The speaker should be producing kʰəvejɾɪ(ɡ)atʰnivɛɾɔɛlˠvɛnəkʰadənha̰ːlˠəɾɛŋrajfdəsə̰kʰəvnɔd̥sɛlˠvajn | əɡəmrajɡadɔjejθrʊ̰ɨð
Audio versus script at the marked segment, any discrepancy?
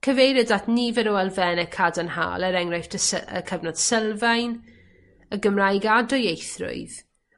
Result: yes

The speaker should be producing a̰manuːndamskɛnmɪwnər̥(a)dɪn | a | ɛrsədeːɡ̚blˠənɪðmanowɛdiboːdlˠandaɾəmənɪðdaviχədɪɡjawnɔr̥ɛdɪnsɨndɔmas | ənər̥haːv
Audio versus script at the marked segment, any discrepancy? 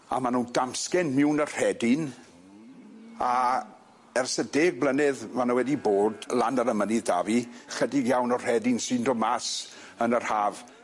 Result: yes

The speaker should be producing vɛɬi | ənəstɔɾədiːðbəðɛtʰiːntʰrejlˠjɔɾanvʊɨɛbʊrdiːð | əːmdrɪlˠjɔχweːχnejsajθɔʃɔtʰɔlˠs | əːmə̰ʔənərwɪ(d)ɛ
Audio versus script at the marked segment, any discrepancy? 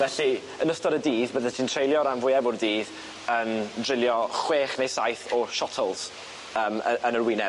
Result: yes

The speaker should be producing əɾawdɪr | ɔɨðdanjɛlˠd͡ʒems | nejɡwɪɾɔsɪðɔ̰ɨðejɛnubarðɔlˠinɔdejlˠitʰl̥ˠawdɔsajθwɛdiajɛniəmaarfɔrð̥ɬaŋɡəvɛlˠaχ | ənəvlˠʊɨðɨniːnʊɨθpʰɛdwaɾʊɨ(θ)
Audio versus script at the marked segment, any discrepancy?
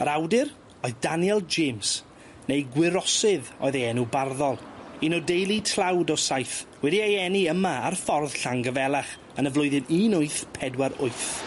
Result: no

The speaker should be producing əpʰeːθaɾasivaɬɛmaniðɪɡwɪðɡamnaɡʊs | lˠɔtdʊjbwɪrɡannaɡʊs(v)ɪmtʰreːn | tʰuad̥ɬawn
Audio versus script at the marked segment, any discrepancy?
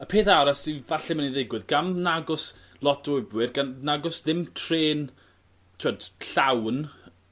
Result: yes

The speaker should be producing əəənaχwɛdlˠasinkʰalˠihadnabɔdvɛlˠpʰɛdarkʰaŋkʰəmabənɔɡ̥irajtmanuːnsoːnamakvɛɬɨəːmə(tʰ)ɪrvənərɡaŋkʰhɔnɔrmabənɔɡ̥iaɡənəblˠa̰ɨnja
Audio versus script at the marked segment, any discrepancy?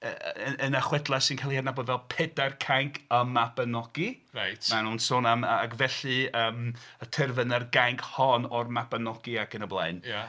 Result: no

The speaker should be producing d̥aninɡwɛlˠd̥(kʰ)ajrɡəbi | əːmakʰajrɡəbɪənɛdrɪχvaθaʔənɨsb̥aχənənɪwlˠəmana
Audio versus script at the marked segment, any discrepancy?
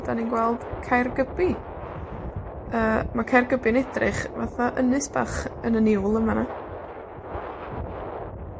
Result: no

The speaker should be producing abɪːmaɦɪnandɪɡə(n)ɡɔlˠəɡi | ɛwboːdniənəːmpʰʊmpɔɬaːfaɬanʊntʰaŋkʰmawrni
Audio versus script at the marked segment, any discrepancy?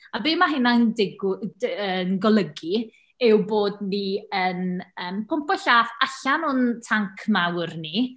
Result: no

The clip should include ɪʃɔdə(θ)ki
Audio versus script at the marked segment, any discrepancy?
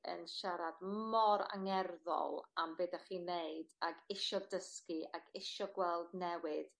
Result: yes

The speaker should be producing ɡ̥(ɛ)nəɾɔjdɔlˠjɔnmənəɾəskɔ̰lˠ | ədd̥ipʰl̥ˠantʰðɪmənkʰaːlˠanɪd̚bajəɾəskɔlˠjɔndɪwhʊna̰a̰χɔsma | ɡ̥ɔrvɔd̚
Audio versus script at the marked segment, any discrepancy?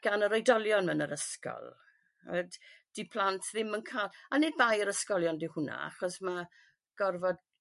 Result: yes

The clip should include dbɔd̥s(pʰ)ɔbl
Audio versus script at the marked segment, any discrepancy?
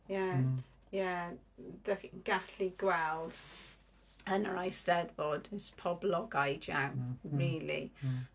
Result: no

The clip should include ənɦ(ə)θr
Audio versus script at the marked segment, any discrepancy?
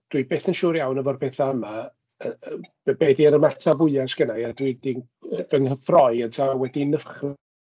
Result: no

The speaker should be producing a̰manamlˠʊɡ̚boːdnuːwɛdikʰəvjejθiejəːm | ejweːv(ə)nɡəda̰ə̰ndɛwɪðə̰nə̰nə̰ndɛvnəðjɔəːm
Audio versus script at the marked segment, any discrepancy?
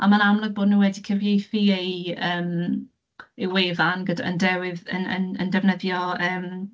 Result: yes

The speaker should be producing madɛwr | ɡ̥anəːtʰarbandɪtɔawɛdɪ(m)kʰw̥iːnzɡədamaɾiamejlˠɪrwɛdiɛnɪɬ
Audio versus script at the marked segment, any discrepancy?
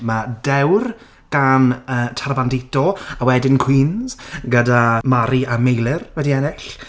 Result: yes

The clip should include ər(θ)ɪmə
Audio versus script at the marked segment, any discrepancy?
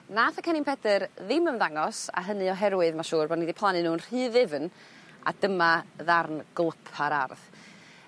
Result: yes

